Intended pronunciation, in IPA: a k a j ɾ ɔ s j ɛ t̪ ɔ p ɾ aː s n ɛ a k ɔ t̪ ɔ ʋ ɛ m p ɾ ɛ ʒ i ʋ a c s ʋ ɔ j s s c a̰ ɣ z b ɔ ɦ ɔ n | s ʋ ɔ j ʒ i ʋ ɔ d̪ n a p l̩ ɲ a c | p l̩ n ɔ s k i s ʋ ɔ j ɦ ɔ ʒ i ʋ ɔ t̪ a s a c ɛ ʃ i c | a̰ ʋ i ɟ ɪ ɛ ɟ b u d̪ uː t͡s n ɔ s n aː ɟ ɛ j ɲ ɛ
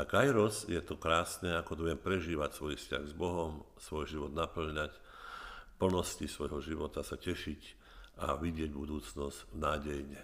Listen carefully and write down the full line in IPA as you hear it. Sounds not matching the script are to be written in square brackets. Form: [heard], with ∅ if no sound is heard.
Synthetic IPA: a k a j ɾ ɔ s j ɛ t̪ ɔ [k] ɾ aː s n ɛ a k ɔ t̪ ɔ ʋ ɛ m p ɾ ɛ ʒ [iː] ʋ a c s ʋ ɔ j [f] s c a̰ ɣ z b ɔ ɦ ɔ [m] | s ʋ ɔ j ʒ i ʋ ɔ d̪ n a p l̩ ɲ a c | p l̩ n ɔ s [c] i s ʋ ɔ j ɦ ɔ ʒ i ʋ ɔ t̪ a s a c ɛ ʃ i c | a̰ ʋ i ɟ ɪ ɛ ɟ b u d̪ uː t͡s n ɔ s n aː ɟ ɛ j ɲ ɛ